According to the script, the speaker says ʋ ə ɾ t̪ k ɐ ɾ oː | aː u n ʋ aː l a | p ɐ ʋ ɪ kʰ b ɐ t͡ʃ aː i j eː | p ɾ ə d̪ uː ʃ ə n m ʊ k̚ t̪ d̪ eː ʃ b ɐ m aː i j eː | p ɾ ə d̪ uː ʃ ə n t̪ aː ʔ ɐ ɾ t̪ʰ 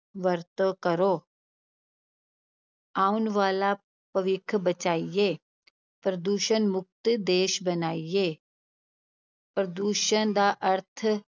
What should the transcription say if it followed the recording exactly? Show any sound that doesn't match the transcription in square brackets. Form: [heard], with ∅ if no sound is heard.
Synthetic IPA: ʋ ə ɾ t̪ k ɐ ɾ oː | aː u n ʋ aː l a | p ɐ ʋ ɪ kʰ b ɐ t͡ʃ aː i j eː | p ɾ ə d̪ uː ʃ ə n m ʊ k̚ t̪ d̪ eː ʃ b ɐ [n] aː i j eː | p ɾ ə d̪ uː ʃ ə n [d̪] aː ʔ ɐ ɾ t̪ʰ